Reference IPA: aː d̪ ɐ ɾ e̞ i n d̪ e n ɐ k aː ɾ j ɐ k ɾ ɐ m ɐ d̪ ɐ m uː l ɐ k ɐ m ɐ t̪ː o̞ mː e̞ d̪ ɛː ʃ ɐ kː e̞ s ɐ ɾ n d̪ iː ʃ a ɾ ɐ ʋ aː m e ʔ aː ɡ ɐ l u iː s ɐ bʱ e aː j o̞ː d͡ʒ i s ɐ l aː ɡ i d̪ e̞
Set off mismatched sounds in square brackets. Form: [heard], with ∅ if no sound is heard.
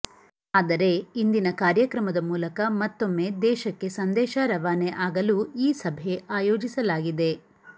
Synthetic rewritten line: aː d̪ ɐ ɾ e̞ i n d̪ [i] n ɐ k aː ɾ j ɐ k ɾ ɐ m ɐ d̪ ɐ m uː l ɐ k ɐ m ɐ t̪ː o̞ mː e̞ d̪ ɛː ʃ ɐ kː e̞ s ɐ [∅] n d̪ [ɛː] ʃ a ɾ ɐ ʋ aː [n] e ʔ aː ɡ ɐ l u iː s ɐ bʱ e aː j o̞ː d͡ʒ i s ɐ l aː ɡ i d̪ e̞